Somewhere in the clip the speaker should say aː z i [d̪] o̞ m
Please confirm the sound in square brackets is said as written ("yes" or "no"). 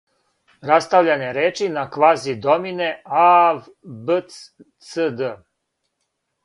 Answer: yes